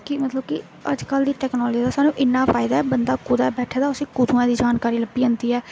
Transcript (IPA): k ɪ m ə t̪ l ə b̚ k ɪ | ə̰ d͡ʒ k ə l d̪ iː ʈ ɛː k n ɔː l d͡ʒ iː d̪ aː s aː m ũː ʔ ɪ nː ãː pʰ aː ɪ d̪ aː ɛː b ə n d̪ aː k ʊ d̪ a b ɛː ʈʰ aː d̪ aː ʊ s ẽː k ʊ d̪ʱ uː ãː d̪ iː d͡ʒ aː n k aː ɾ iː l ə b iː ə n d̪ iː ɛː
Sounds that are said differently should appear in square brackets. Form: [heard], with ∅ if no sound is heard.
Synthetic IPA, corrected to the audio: k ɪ m ə t̪ l ə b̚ k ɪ | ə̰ d͡ʒ k ə l d̪ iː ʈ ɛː k n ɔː l d͡ʒ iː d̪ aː s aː [n] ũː ʔ ɪ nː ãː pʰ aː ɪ d̪ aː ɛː b ə n d̪ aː k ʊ d̪ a b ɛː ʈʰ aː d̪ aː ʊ s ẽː k ʊ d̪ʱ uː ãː d̪ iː d͡ʒ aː n k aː ɾ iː l ə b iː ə n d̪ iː ɛː